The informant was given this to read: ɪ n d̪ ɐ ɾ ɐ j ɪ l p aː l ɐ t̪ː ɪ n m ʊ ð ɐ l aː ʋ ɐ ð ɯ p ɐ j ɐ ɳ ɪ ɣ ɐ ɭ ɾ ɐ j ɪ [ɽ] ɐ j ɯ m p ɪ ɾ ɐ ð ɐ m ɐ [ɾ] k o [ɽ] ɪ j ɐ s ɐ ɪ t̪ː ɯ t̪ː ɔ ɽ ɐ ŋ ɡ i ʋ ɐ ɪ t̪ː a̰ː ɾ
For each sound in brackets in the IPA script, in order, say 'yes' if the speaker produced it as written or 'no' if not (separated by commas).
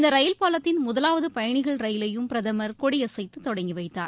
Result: no, yes, yes